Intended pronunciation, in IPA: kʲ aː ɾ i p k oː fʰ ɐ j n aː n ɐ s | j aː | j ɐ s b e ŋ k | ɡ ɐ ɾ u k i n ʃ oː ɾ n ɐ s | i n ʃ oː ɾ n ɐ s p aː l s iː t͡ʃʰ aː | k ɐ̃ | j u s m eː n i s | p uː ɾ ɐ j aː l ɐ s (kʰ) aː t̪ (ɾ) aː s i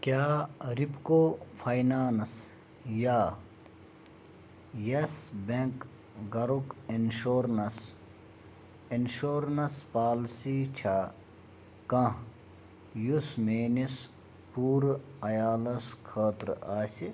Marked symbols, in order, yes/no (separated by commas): yes, yes